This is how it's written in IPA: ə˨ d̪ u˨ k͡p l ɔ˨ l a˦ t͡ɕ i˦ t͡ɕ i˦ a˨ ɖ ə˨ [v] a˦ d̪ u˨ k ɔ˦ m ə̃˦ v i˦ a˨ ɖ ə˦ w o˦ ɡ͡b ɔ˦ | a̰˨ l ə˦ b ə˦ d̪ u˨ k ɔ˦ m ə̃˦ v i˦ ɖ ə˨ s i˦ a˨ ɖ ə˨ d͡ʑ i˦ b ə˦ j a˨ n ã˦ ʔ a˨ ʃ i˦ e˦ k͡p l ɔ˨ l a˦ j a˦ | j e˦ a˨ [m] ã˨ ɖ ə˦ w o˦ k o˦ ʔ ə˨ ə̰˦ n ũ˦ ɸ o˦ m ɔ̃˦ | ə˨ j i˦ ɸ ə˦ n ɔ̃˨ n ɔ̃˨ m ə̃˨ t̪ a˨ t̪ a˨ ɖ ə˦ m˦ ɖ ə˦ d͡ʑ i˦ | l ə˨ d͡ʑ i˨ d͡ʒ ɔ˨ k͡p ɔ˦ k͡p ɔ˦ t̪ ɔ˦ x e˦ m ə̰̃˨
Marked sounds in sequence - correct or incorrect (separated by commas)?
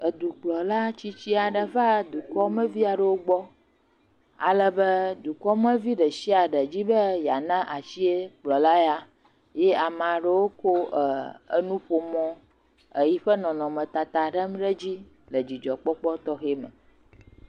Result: correct, correct